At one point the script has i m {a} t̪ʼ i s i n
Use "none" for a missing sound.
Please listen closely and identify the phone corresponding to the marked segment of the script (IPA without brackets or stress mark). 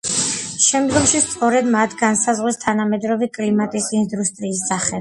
a